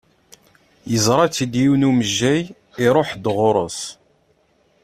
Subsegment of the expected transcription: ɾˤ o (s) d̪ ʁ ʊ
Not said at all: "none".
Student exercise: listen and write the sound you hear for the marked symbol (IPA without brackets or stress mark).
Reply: ħ